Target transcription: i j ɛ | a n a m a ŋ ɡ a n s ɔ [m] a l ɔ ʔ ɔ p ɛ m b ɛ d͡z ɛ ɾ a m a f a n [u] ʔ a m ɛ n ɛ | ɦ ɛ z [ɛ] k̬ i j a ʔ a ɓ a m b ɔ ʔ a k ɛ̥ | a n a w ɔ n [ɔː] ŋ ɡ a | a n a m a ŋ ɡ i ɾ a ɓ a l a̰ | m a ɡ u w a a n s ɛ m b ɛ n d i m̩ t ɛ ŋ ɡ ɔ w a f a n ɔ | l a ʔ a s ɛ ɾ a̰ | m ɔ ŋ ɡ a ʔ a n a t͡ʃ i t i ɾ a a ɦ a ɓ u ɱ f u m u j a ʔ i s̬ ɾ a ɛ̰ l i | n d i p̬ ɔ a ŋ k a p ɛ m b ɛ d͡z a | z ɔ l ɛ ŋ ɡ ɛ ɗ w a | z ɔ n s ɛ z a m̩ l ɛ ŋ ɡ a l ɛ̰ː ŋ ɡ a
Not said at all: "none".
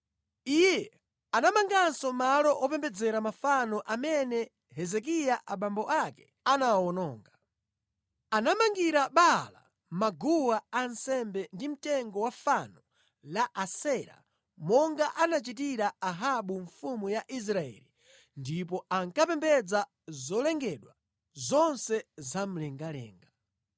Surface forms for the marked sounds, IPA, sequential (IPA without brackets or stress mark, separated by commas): m, ɔ, ɛ, ɔː